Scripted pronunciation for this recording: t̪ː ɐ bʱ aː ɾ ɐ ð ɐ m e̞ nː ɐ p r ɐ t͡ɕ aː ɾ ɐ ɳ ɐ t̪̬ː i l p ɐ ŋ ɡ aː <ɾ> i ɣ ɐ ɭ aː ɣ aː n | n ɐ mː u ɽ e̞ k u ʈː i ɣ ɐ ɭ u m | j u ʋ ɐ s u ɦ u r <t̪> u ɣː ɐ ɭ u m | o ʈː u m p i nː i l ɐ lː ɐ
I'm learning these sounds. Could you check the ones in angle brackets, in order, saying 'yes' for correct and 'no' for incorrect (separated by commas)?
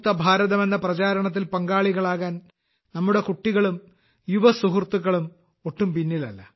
no, yes